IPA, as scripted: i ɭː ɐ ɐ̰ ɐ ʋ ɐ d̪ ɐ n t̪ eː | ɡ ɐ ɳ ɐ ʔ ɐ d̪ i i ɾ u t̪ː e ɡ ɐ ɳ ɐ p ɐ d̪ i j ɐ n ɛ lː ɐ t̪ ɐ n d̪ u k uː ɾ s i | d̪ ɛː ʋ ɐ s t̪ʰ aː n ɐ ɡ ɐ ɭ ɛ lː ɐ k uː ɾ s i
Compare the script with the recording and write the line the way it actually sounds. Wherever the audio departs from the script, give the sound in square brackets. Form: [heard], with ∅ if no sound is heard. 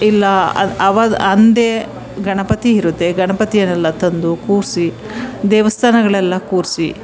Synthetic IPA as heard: i [lː] ɐ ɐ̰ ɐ ʋ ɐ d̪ ɐ n [d̪] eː | ɡ ɐ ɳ ɐ [p] ɐ [t̪] i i ɾ u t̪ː e ɡ ɐ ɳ ɐ p ɐ [t̪] i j ɐ n ɛ lː ɐ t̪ ɐ n d̪ u k uː ɾ s i | d̪ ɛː ʋ ɐ s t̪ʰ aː n ɐ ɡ ɐ ɭ ɛ lː ɐ k uː ɾ s i